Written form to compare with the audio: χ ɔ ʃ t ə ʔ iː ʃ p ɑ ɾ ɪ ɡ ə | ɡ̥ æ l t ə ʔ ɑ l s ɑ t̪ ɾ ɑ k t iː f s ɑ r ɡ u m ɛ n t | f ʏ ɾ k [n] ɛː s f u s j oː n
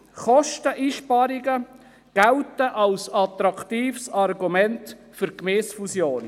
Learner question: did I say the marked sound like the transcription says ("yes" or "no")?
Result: no